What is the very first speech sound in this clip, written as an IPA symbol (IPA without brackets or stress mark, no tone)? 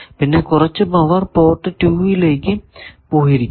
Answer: p